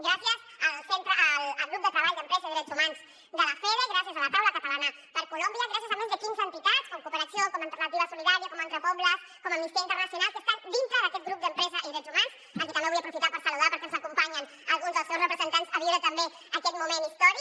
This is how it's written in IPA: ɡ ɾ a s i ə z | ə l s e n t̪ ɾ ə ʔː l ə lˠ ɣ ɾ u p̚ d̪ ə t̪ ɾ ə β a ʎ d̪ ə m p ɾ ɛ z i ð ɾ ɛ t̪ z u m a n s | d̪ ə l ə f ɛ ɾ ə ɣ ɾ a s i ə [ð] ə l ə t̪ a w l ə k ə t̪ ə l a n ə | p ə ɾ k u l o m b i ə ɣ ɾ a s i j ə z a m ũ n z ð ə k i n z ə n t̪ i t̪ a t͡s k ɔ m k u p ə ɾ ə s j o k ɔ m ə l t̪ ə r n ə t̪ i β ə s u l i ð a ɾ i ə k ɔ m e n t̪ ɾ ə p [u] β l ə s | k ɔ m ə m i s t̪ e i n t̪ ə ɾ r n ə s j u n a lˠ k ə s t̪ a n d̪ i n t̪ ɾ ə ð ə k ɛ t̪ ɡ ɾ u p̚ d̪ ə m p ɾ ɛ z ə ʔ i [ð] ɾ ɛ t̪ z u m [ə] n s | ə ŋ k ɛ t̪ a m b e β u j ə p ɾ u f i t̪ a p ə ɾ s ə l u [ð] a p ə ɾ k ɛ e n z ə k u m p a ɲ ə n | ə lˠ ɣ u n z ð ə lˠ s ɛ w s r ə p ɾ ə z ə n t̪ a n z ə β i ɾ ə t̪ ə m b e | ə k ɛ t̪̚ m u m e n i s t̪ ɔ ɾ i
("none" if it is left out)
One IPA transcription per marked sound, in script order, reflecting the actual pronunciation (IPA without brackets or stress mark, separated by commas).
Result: z, ɔ, ð, a, ð